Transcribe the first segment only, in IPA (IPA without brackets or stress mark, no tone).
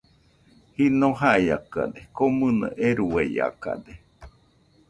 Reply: h